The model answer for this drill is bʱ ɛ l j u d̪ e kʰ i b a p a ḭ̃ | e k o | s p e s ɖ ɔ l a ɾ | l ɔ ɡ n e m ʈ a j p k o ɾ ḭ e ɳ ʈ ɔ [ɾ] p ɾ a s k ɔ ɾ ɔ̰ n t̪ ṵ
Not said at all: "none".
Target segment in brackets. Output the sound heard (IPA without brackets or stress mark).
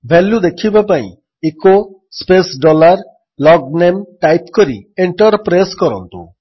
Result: ɾ